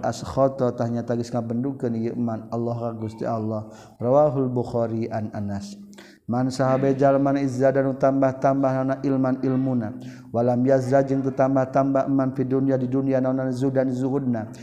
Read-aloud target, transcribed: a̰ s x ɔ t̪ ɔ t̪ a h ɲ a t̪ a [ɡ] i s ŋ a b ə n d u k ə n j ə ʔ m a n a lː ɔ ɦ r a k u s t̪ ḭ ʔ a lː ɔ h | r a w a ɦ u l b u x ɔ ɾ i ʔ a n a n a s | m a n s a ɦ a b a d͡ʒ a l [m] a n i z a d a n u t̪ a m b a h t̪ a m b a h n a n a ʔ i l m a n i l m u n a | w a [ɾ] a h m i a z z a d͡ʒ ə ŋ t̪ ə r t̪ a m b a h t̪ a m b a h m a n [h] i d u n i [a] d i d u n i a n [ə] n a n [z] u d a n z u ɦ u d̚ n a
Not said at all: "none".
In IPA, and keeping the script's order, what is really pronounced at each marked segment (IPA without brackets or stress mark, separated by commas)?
ɡ, m, l, f, a, a, z